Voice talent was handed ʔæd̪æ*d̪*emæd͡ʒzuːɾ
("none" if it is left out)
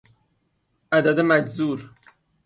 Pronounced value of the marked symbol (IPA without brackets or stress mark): d̪